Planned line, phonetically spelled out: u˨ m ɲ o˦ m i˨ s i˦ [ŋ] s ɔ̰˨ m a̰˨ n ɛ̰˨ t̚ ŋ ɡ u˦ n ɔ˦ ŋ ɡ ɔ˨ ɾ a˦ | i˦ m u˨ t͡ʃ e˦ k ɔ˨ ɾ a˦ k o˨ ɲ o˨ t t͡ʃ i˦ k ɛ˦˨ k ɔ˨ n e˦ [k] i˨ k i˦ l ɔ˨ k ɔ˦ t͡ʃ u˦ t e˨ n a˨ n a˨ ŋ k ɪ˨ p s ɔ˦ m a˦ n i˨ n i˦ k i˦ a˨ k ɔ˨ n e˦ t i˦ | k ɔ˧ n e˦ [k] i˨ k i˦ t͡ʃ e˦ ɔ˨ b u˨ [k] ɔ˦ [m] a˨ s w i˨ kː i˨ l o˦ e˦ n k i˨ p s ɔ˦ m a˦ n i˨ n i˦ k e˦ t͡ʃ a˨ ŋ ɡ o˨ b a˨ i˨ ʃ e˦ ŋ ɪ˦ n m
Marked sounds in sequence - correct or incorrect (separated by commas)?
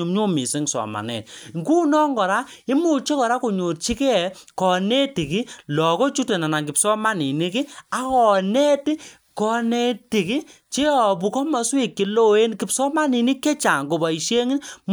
correct, incorrect, incorrect, correct, correct